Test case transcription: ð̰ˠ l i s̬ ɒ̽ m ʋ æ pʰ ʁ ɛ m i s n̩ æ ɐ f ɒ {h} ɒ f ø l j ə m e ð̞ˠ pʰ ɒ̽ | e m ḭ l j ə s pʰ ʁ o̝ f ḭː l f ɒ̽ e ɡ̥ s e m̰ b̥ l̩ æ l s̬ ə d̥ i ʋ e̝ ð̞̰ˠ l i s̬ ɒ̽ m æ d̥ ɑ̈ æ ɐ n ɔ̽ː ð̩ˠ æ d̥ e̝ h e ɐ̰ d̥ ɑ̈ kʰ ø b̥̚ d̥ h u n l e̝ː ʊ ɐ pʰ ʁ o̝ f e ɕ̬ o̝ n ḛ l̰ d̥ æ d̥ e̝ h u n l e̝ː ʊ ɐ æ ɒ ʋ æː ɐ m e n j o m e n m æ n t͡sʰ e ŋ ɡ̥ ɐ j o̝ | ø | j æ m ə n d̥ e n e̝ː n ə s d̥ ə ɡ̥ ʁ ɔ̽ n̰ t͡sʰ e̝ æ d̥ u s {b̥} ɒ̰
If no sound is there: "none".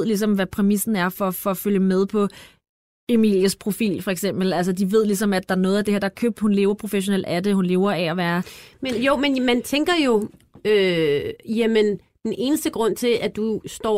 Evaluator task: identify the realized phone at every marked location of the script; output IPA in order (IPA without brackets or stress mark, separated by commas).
f, d̥